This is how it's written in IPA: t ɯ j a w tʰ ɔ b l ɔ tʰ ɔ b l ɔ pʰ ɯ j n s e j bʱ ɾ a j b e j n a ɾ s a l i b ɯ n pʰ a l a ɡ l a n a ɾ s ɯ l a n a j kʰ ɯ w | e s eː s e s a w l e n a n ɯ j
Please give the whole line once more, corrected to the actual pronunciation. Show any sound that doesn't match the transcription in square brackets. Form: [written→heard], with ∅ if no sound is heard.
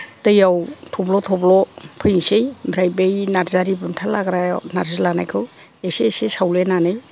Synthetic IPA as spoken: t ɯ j a w tʰ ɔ b l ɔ tʰ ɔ b l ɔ pʰ ɯ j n s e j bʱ ɾ a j b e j n a ɾ [s→z] a [l→ɾ] i b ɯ n [pʰ→tʰ] a l a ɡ [l→ɾ] a n a ɾ [s→z] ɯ l a n a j kʰ ɯ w | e s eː s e s a w l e n a n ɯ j

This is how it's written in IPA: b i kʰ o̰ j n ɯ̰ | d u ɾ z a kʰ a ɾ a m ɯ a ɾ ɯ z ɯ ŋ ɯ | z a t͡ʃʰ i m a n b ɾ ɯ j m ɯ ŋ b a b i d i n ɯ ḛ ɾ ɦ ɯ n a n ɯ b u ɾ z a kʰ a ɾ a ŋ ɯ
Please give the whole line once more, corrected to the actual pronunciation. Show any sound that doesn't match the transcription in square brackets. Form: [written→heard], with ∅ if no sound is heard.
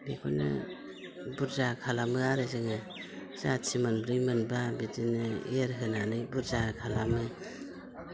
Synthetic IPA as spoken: b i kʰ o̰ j n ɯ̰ | [d→b] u ɾ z a kʰ a [ɾ→l] a m ɯ a ɾ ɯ z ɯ ŋ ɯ | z a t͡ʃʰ i m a n b ɾ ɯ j m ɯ [ŋ→n] b a b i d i n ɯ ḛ ɾ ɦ ɯ n a n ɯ b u ɾ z a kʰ a [ɾ→l] a [ŋ→m] ɯ

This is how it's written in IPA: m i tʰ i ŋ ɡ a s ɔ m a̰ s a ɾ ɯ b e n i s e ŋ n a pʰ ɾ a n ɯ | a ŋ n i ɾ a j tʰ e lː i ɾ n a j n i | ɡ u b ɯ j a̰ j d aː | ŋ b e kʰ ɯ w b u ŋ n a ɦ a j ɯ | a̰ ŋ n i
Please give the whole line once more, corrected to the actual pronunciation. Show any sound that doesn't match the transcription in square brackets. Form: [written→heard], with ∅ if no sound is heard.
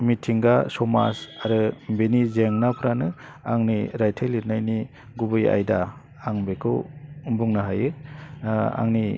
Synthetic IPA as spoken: m i tʰ i ŋ ɡ a s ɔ m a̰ s a ɾ ɯ b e n i [s→z] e ŋ n a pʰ ɾ a n ɯ | a ŋ n i ɾ a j tʰ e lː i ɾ n a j n i | ɡ u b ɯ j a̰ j d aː | ŋ b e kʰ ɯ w b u ŋ n a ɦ a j ɯ | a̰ ŋ n i

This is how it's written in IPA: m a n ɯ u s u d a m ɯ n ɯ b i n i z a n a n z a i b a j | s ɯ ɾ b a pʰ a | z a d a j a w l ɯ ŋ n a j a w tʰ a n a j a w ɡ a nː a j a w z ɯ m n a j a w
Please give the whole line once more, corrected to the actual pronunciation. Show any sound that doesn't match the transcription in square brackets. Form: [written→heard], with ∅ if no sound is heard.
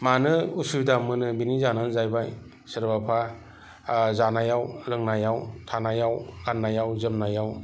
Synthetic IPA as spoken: m a n ɯ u s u d a m ɯ n ɯ b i n i z a n a n z a [i→j] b a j | s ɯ ɾ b a pʰ a | z a [d→n] a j a w l ɯ ŋ n a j a w tʰ a n a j a w ɡ a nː a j a w z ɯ m n a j a w

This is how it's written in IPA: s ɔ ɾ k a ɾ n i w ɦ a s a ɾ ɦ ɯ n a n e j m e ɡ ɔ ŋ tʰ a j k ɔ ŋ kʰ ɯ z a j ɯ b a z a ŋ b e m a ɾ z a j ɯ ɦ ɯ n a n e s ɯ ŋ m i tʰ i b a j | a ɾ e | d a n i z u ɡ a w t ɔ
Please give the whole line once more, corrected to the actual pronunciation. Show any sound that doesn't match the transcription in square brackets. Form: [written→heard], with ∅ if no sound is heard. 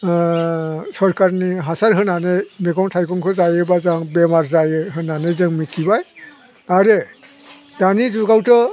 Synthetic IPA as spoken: s ɔ ɾ k a ɾ n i [w→∅] ɦ a s a ɾ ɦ ɯ n a n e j m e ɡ ɔ ŋ tʰ a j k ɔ ŋ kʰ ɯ z a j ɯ b a z a ŋ b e m a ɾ z a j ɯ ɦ ɯ n a n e [s→z] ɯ ŋ m i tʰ i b a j | a ɾ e | d a n i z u ɡ a w t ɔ

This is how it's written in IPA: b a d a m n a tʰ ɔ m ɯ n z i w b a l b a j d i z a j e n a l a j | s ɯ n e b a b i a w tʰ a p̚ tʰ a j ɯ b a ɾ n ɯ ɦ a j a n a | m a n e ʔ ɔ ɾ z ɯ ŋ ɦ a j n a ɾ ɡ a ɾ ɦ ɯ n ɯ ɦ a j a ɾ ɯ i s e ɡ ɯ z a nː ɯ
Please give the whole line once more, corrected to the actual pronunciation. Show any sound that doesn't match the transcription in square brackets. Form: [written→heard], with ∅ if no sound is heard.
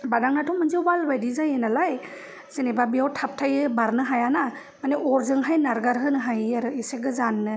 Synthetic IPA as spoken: b a d a [m→ŋ] n a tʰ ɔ m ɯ n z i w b a l b a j d i z a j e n a l a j | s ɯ n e b a b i a w tʰ a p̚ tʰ a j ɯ b a ɾ n ɯ ɦ a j a n a | m a n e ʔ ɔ ɾ z ɯ ŋ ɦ a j n a ɾ ɡ a ɾ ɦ ɯ n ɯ ɦ a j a ɾ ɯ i s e ɡ ɯ z a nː ɯ

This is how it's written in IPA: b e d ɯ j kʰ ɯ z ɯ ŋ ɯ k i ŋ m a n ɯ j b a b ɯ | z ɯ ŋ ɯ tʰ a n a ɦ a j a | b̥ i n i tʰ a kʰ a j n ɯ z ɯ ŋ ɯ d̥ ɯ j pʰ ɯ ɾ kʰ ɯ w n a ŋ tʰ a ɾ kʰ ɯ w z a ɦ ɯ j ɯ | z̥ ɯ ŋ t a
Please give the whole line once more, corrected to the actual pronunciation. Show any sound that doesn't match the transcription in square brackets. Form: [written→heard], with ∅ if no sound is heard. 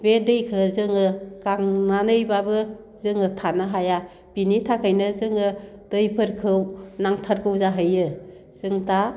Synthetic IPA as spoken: b e d ɯ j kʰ ɯ z ɯ ŋ ɯ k [i→a] ŋ [m→n] a n ɯ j b a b ɯ | z ɯ ŋ ɯ tʰ a n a ɦ a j a | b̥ i n i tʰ a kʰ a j n ɯ z ɯ ŋ ɯ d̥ ɯ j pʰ ɯ ɾ kʰ ɯ w n a ŋ tʰ a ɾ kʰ ɯ w z a ɦ ɯ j ɯ | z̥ ɯ ŋ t a

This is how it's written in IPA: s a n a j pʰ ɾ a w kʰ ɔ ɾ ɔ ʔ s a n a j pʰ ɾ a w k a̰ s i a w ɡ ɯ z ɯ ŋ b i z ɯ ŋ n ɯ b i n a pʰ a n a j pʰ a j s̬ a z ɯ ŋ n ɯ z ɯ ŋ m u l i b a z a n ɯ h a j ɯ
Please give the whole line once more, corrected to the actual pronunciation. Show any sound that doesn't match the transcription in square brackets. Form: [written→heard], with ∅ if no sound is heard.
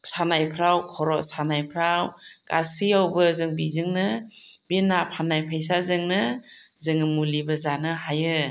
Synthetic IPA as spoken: s a n a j pʰ ɾ a w kʰ ɔ ɾ ɔ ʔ s a n a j pʰ ɾ a w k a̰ s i a w [ɡ→b] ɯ z ɯ ŋ b i z ɯ ŋ n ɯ b i n a pʰ a n a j pʰ a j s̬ a z ɯ ŋ n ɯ z ɯ ŋ m u l i b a z a n ɯ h a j ɯ

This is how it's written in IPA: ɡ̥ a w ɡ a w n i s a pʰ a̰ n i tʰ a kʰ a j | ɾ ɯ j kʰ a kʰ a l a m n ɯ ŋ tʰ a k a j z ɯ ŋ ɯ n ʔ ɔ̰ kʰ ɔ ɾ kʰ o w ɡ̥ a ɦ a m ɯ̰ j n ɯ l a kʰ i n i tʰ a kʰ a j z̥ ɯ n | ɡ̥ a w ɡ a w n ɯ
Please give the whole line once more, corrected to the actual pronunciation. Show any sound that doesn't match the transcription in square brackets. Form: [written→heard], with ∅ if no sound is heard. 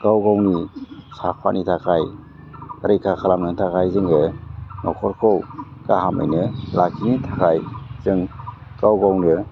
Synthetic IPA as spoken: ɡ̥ a w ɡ a w n i s a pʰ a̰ n i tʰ a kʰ a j | ɾ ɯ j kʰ a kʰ a l a m n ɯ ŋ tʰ a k a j z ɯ ŋ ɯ n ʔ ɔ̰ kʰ ɔ ɾ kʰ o w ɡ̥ a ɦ a m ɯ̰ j n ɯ l a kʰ i n i tʰ a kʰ a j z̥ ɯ [n→ŋ] | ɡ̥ a w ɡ a w n ɯ

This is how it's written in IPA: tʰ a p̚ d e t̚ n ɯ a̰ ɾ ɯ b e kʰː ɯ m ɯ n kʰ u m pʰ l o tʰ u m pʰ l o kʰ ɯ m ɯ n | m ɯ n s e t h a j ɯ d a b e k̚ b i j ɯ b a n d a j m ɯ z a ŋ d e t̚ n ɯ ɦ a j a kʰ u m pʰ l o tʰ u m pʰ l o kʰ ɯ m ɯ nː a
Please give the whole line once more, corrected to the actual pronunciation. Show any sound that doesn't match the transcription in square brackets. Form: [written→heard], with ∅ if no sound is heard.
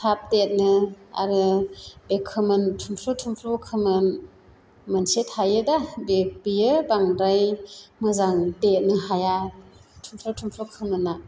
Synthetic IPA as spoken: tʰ a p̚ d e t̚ n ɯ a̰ ɾ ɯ b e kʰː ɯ m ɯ n [kʰ→tʰ] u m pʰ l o tʰ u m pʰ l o kʰ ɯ m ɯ n | m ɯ n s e t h a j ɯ d a b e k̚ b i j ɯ b a [n→ŋ] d a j m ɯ z a ŋ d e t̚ n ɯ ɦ a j a [kʰ→tʰ] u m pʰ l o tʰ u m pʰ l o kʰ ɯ m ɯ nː a

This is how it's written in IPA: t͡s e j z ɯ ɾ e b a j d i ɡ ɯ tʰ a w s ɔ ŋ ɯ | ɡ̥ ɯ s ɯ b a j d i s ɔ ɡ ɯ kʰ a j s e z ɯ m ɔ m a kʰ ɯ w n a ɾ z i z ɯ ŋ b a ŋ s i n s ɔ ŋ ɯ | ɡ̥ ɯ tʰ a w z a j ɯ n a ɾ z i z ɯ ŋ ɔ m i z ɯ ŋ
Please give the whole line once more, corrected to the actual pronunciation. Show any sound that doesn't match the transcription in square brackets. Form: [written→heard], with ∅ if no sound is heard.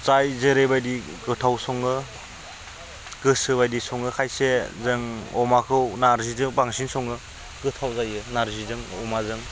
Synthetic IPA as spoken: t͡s [e→a] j z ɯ ɾ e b a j d i ɡ ɯ tʰ a w s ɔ ŋ ɯ | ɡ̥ ɯ s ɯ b a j d i s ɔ [ɡ→ŋ] ɯ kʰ a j s e z ɯ [m→ŋ] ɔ m a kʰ ɯ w n a ɾ z i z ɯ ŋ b a ŋ s i n s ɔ ŋ ɯ | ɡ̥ ɯ tʰ a w z a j ɯ n a ɾ z i z ɯ ŋ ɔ m [i→a] z ɯ ŋ

